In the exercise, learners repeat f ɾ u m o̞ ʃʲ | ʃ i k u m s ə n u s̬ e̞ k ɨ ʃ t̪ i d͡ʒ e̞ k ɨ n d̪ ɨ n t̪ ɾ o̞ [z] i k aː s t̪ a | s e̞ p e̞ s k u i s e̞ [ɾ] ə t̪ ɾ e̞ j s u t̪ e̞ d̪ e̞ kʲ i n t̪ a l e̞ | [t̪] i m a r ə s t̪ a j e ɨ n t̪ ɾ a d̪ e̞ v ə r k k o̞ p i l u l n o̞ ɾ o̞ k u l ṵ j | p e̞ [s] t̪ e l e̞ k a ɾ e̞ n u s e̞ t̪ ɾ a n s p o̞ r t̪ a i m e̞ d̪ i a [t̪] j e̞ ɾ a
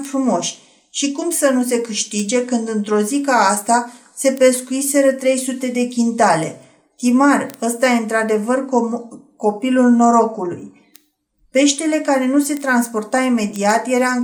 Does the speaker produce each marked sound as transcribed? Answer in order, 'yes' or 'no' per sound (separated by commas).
yes, yes, yes, no, yes